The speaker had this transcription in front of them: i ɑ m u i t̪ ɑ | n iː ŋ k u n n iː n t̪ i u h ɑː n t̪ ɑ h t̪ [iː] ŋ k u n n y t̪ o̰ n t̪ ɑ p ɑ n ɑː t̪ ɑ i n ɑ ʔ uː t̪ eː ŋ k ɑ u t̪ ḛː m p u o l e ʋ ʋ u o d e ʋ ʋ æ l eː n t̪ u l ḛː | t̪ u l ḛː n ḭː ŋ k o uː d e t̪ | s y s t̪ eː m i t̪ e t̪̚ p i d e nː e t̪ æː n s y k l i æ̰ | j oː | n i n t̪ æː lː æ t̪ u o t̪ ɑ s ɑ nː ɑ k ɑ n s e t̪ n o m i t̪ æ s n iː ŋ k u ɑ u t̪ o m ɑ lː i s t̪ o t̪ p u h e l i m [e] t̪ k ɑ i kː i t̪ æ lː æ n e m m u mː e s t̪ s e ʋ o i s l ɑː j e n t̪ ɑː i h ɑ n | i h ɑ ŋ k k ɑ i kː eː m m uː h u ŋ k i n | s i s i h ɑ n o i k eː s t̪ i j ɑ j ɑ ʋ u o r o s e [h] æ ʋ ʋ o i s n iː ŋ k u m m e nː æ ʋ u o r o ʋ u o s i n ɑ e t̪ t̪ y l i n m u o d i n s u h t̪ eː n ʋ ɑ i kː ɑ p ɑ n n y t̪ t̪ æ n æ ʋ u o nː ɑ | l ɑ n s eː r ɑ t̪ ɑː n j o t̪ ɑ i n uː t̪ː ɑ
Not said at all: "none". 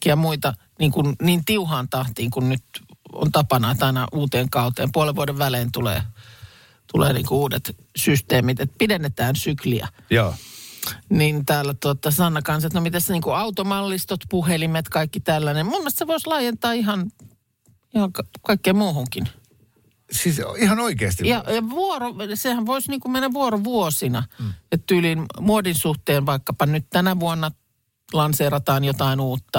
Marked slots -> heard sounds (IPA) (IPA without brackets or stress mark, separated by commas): iː, e, h